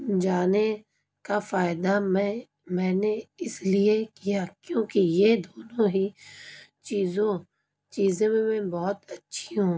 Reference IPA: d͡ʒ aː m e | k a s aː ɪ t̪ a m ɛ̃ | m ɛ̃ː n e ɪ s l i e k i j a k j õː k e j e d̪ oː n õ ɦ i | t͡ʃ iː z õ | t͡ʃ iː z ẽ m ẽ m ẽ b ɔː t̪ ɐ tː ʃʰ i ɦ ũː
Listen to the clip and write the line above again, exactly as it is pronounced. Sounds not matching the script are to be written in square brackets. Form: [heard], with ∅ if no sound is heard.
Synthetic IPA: d͡ʒ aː [n] e | k a [f] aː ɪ [d̪] a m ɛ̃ | m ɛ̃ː n e ɪ s l i e k i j a k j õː k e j e d̪ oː n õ ɦ i | t͡ʃ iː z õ | t͡ʃ iː z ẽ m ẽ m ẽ b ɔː t̪ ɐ tː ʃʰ i ɦ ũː

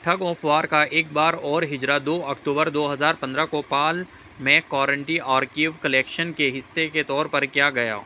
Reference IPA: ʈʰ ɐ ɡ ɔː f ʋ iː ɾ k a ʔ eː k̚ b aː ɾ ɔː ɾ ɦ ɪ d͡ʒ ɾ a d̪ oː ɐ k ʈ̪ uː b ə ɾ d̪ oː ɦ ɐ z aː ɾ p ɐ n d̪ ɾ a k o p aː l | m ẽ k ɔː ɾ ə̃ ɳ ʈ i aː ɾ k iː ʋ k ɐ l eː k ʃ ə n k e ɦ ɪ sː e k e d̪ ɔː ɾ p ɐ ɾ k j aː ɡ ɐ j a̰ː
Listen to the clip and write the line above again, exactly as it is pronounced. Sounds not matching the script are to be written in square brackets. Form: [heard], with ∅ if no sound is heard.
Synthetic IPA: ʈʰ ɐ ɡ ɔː f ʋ [aː] ɾ k a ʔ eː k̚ b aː ɾ ɔː ɾ ɦ ɪ d͡ʒ ɾ a d̪ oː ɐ k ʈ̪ uː b ə ɾ d̪ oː ɦ ɐ z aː ɾ p [ɐ̃] n d̪ ɾ a k o p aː l | m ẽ k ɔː ɾ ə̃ ɳ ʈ i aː ɾ k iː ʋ k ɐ l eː k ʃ ə n k e ɦ ɪ sː e k e [t̪] ɔː ɾ p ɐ ɾ k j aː ɡ ɐ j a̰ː

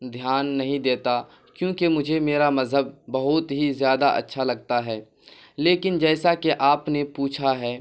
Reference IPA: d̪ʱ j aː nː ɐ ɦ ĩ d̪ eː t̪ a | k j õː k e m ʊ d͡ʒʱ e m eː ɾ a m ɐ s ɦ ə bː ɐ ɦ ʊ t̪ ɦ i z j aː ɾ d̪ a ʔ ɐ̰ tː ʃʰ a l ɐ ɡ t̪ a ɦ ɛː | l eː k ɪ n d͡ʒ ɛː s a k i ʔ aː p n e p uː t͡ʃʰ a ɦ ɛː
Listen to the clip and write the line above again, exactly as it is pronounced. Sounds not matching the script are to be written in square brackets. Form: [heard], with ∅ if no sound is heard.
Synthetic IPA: d̪ʱ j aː nː ɐ ɦ ĩ d̪ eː t̪ a | k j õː k e m ʊ d͡ʒʱ e m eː ɾ a m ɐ [z] ɦ ə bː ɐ ɦ ʊ t̪ ɦ i z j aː [∅] d̪ a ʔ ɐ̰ tː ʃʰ a l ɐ ɡ t̪ a ɦ ɛː | l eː k ɪ n d͡ʒ ɛː s a k [e] ʔ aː p n e p uː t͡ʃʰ a ɦ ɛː

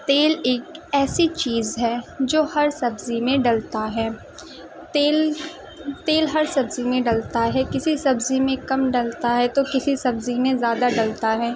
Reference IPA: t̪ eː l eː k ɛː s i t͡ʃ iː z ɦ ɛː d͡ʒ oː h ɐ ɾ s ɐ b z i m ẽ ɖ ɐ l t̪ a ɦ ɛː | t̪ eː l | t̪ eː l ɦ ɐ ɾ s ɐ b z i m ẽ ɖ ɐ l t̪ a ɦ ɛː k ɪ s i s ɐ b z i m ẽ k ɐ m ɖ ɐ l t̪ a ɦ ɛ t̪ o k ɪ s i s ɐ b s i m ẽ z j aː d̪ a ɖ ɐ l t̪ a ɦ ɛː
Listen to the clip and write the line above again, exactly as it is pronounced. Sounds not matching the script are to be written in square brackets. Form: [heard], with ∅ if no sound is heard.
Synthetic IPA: t̪ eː l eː k ɛː s i t͡ʃ iː z ɦ ɛː d͡ʒ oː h ɐ ɾ s ɐ b z i m ẽ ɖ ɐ l t̪ a ɦ ɛː | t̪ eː l | t̪ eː l ɦ ɐ ɾ s ɐ b z i m ẽ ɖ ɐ l t̪ a ɦ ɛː k ɪ s i s ɐ b z i m ẽ k ɐ m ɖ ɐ l t̪ a ɦ ɛ t̪ o k ɪ s i s ɐ b [z] i m ẽ z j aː d̪ a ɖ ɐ l t̪ a ɦ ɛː

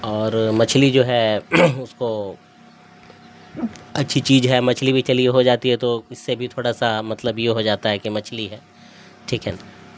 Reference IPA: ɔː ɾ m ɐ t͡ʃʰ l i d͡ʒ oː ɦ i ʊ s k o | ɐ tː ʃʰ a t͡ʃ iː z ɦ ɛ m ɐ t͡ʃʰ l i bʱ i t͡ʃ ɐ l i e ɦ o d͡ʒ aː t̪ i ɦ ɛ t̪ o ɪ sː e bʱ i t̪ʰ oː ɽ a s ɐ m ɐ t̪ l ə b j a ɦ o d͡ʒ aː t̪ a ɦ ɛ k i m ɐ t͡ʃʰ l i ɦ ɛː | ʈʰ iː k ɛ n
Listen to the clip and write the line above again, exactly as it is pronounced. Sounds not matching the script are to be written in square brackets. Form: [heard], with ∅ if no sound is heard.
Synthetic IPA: ɔː ɾ m ɐ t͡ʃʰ l i d͡ʒ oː ɦ [ɛ] ʊ s k o | ɐ tː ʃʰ [i] t͡ʃ iː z ɦ ɛ m ɐ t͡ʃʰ l i bʱ i t͡ʃ ɐ l i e ɦ o d͡ʒ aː t̪ i ɦ ɛ t̪ o ɪ sː e bʱ i t̪ʰ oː ɽ a s [a] m ɐ t̪ l ə b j [e] ɦ o d͡ʒ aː t̪ a ɦ ɛ k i m ɐ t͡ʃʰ l i ɦ ɛː | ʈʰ iː k ɛ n

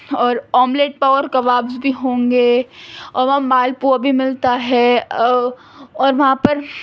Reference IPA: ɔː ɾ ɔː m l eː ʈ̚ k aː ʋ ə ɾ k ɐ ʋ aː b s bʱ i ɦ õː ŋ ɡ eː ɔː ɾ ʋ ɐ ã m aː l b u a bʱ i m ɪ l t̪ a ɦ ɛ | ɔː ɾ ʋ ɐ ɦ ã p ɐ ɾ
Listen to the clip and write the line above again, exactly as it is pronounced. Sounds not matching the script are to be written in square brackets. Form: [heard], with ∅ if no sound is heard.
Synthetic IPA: ɔː ɾ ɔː m l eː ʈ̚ [p] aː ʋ ə ɾ k ɐ ʋ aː b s bʱ i ɦ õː ŋ ɡ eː ɔː ɾ ʋ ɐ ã m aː l [p] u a bʱ i m ɪ l t̪ a ɦ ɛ | ɔː ɾ ʋ ɐ ɦ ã p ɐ ɾ

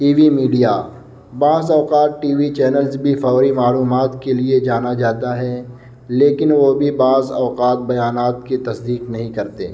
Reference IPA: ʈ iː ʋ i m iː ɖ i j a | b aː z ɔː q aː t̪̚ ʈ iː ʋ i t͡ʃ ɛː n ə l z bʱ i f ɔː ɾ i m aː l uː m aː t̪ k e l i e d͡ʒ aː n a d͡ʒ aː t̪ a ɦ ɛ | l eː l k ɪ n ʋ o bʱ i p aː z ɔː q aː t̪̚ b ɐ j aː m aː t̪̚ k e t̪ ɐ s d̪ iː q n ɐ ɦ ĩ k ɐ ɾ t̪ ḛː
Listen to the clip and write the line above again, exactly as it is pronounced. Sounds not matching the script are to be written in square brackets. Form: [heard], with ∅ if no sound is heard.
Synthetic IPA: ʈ iː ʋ i m iː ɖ i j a | b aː z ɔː q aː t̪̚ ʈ iː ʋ i t͡ʃ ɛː n ə l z bʱ i f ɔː ɾ i m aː l uː m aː t̪ k e l i e d͡ʒ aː n a d͡ʒ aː t̪ a ɦ ɛ | l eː [∅] k ɪ n ʋ o bʱ i [b] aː z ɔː q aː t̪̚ b ɐ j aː [n] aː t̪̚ k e t̪ ɐ s d̪ iː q n ɐ ɦ ĩ k ɐ ɾ t̪ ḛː

